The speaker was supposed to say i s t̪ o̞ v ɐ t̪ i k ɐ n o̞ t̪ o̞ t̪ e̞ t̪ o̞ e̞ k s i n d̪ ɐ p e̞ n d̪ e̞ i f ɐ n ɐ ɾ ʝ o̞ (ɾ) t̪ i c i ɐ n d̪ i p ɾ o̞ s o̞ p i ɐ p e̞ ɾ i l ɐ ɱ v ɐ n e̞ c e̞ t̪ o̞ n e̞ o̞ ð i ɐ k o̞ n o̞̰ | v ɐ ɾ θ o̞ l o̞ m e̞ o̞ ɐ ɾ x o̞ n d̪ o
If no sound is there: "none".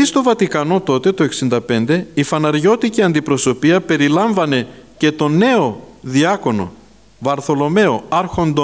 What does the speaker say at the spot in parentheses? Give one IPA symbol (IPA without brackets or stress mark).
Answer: none